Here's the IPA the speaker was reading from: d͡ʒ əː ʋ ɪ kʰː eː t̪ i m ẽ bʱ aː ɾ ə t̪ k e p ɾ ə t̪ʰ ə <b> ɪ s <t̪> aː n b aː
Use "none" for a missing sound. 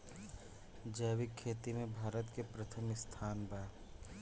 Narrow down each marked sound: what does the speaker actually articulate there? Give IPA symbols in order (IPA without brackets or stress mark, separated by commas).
m, t̪ʰ